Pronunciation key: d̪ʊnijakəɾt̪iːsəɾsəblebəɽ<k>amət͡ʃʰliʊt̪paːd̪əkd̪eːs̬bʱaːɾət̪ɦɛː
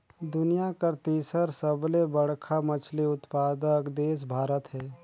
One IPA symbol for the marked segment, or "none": kʰ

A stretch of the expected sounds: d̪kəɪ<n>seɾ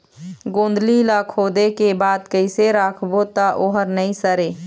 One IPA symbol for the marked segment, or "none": none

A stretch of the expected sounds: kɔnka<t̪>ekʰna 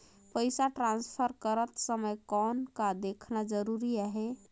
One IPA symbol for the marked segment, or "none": d̪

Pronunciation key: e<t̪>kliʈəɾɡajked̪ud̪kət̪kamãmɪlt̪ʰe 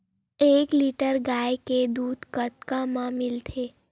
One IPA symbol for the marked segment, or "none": none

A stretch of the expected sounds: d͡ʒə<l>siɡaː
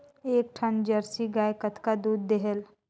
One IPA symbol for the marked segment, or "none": ɾ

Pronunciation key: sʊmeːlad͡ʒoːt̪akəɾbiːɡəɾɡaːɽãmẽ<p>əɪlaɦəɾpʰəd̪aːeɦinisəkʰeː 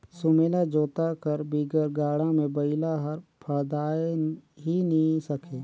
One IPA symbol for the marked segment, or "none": b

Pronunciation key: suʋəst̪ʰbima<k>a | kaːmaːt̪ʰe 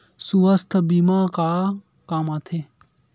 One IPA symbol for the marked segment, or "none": k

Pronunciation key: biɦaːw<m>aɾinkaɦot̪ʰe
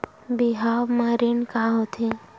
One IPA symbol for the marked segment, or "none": m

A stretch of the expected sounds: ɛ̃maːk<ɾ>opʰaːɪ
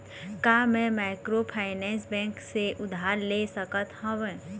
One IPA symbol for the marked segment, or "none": ɾ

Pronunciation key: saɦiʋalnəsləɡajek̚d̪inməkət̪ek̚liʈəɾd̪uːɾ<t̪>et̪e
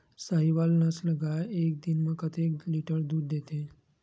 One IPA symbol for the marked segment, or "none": d̪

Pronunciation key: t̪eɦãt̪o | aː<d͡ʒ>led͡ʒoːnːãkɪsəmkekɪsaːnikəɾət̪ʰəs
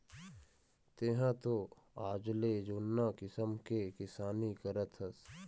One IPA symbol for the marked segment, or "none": d͡ʒ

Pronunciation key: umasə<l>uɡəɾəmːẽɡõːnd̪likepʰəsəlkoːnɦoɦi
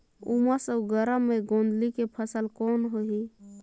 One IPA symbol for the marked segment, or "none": none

